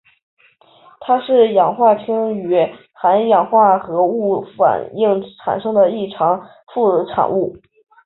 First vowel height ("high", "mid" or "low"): low